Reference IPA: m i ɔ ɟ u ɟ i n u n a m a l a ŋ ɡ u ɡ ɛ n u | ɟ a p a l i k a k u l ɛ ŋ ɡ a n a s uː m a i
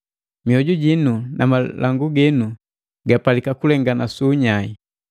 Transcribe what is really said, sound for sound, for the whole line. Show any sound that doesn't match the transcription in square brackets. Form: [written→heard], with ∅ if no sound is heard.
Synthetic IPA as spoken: m i ɔ ɟ u ɟ i n u n a m a l a ŋ ɡ u ɡ ɛ n u | [ɟ→ɡ] a p a l i k a k u l ɛ ŋ ɡ a n a s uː [m→ɲ] a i